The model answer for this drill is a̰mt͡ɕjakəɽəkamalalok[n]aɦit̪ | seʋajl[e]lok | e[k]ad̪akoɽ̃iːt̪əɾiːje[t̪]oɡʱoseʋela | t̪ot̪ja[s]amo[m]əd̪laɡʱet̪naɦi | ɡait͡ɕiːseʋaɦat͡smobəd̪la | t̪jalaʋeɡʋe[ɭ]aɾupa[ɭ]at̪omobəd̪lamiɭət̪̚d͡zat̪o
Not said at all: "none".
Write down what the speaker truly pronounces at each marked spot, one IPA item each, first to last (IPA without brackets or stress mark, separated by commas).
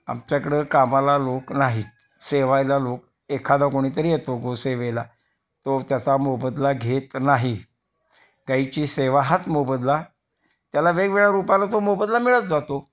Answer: n, a, kʰ, t̪, t͡s, b, ɭ, l